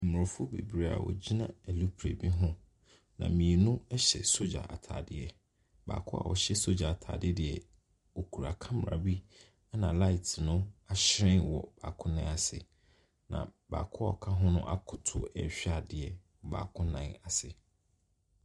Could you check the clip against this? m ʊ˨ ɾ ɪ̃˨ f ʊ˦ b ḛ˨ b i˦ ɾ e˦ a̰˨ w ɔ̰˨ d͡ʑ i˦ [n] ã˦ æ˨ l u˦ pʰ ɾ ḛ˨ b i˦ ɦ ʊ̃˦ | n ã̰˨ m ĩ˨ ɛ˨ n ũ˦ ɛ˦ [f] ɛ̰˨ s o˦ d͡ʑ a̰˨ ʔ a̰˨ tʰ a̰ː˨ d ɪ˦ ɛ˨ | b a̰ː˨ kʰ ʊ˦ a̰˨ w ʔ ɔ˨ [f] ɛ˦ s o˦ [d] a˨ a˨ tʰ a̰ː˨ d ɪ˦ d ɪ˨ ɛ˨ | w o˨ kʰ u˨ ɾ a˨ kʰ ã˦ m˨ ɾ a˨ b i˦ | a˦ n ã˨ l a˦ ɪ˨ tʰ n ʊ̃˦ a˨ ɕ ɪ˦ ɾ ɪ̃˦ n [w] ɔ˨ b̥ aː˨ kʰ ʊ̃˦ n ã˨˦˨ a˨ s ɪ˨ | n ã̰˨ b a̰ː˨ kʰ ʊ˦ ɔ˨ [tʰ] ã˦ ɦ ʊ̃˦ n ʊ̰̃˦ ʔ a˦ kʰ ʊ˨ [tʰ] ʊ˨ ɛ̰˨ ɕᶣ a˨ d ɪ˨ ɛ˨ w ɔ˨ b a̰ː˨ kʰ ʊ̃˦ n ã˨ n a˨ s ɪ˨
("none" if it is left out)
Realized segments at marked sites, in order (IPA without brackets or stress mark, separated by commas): n, ɕ, ɕ, d͡ʑ, w, kʰ, tʰ